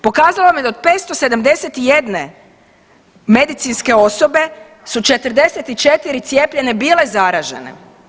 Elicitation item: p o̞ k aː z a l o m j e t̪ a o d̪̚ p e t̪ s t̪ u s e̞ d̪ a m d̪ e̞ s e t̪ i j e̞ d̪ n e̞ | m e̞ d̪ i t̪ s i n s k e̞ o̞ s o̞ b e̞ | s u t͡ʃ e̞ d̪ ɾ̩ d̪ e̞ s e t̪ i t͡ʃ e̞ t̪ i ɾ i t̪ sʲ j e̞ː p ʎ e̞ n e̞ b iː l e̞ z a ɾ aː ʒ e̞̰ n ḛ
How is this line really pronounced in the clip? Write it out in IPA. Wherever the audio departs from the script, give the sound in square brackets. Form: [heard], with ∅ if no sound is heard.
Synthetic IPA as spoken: p o̞ k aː z a l o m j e [d̪] a o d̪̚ p e t̪ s t̪ [o] s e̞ d̪ a m d̪ e̞ s e t̪ i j e̞ d̪ n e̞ | m e̞ d̪ i t̪ s i n s k e̞ o̞ s o̞ b e̞ | s u t͡ʃ e̞ [t̪] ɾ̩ d̪ e̞ s e t̪ i t͡ʃ e̞ t̪ i ɾ i t̪ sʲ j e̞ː p ʎ e̞ n e̞ b iː l e̞ z a ɾ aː ʒ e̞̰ n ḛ